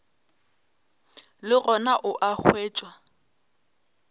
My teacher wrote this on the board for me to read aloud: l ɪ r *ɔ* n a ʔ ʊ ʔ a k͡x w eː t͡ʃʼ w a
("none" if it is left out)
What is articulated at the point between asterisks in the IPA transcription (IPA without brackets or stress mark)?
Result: ɔ